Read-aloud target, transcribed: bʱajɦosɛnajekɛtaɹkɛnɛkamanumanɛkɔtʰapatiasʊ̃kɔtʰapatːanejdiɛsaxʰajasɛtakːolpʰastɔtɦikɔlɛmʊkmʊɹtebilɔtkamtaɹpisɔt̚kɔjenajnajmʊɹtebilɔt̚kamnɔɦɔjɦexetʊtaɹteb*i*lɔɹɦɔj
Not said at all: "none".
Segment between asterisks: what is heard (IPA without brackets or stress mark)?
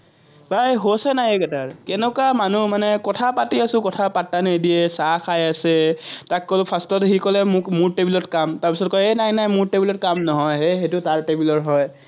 i